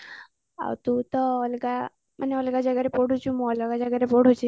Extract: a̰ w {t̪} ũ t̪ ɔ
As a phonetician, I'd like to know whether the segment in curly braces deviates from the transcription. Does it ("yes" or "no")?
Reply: no